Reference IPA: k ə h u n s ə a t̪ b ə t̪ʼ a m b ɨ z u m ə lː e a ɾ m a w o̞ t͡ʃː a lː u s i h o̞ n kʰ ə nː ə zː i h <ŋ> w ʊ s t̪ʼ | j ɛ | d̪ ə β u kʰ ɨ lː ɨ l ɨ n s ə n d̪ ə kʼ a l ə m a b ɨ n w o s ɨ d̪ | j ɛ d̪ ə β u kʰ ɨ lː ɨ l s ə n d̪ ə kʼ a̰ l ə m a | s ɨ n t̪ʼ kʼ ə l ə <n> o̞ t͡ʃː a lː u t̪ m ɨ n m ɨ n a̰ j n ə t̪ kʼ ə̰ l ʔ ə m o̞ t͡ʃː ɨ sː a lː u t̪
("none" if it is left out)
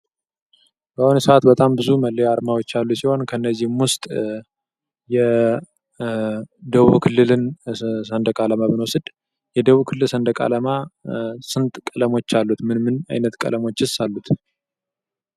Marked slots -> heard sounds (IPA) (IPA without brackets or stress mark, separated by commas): m, m